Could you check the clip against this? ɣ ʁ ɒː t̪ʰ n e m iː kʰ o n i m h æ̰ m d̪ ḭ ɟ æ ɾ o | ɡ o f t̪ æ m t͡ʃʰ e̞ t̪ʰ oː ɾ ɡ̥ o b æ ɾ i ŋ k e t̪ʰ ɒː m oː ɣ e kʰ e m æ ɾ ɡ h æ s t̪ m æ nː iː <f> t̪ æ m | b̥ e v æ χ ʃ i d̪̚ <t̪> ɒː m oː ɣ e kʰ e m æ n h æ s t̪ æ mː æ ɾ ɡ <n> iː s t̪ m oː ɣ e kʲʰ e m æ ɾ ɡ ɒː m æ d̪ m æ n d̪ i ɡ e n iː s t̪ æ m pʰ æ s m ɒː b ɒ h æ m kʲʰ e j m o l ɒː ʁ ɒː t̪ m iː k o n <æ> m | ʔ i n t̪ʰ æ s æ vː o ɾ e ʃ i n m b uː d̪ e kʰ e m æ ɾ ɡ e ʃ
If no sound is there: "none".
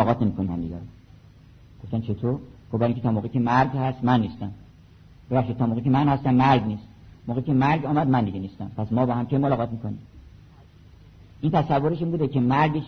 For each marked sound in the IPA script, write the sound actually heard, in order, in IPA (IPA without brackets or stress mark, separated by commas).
s, t̪, n, i